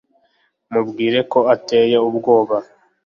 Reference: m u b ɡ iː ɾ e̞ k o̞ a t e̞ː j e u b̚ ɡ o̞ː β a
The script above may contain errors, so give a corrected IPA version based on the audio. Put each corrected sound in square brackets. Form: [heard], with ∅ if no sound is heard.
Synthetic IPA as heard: m u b ɡ iː ɾ e̞ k o̞ a t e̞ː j e u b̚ ɡ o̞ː β a